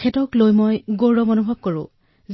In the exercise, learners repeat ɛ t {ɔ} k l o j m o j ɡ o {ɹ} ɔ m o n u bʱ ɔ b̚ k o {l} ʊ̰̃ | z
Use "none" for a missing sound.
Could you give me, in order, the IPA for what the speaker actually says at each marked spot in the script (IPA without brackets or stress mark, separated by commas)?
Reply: ɔ, ɹ, ɹ